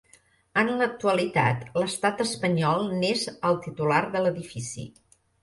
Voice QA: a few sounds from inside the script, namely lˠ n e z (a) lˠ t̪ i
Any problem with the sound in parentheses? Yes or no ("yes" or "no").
yes